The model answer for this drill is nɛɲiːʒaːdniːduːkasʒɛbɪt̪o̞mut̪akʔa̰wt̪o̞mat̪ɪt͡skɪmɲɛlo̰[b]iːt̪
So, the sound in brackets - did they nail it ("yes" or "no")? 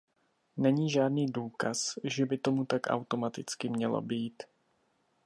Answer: yes